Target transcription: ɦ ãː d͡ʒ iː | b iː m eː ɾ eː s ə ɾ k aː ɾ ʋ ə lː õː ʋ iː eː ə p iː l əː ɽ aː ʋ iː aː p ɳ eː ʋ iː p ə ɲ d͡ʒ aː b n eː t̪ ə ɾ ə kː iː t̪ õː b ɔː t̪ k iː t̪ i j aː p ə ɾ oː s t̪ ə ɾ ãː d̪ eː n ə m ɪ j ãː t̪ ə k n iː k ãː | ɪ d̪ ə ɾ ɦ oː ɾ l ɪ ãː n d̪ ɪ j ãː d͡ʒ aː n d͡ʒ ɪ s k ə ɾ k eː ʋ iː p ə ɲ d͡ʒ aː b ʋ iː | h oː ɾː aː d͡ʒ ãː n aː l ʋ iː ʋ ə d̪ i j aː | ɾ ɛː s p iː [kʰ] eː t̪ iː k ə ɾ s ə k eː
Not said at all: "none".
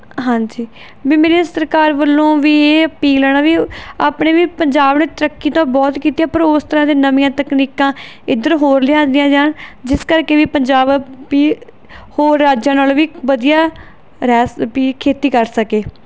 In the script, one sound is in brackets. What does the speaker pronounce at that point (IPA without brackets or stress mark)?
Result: kʰ